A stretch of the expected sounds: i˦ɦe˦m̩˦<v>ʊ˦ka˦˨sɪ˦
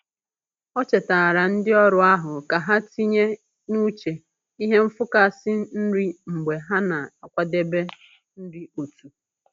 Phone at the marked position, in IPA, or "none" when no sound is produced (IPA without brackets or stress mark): f